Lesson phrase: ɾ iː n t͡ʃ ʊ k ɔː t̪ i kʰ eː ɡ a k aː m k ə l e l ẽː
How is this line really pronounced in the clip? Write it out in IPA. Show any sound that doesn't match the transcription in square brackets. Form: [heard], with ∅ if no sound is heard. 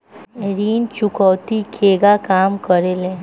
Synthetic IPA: ɾ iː n t͡ʃ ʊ k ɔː t̪ i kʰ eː ɡ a k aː m k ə [ɾ] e l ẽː